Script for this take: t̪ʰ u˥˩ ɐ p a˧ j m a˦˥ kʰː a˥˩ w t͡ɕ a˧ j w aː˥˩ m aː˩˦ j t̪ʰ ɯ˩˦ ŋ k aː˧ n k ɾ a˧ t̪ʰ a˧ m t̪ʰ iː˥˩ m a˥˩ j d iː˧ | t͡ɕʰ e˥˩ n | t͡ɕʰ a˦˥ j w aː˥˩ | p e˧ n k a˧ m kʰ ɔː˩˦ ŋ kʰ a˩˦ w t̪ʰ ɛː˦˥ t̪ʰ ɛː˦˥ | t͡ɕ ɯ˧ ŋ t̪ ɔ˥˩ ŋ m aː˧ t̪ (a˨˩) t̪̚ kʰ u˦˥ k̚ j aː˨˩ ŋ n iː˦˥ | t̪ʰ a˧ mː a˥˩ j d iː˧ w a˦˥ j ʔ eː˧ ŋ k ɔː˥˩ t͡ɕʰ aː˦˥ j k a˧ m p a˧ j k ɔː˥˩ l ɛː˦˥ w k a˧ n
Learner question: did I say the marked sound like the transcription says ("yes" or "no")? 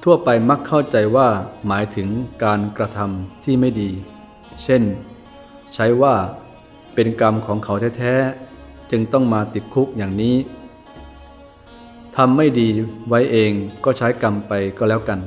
no